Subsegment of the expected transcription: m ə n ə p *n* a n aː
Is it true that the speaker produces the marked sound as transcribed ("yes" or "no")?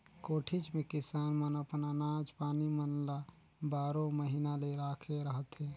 yes